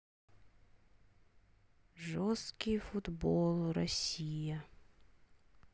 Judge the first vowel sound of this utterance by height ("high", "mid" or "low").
mid